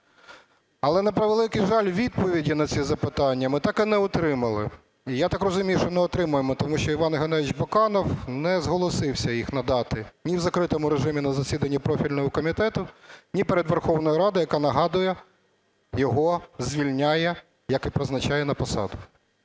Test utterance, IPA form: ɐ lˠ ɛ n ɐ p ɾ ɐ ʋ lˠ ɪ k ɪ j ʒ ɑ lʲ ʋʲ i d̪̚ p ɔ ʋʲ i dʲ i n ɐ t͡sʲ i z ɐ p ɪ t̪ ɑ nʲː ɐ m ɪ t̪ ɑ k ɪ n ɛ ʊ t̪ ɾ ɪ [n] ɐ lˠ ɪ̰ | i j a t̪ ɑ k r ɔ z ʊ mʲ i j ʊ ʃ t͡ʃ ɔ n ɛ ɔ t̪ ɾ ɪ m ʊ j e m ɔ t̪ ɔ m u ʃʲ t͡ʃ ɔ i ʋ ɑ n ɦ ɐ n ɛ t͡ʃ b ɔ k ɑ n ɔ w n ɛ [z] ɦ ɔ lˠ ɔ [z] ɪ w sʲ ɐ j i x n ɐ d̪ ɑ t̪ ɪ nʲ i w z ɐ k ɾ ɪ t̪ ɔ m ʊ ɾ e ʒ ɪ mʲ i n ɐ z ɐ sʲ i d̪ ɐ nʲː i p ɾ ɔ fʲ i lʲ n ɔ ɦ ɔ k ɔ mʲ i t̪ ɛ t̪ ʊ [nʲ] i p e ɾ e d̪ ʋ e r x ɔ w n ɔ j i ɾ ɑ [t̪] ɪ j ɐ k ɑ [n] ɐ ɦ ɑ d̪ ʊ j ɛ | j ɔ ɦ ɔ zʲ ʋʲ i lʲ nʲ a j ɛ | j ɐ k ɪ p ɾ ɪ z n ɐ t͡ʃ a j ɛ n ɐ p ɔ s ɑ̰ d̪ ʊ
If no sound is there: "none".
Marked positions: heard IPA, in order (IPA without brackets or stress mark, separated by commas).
m, z, s, nʲ, d̪, n